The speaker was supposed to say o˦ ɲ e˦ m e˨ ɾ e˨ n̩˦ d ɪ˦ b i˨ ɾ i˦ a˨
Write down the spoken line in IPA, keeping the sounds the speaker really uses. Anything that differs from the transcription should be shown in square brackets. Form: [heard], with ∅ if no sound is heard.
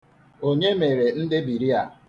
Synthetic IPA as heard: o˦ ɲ e˦ m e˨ ɾ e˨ n̩˦ d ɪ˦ b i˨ ɾ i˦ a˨